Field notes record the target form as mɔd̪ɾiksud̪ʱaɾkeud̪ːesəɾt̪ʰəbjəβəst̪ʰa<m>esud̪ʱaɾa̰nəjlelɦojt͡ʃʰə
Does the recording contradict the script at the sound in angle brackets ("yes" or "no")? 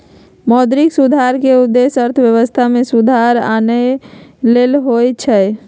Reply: no